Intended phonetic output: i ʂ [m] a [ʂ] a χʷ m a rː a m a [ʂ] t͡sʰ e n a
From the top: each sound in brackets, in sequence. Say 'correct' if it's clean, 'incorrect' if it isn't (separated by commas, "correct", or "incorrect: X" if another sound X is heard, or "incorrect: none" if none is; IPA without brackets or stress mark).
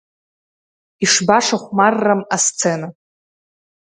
incorrect: b, correct, incorrect: s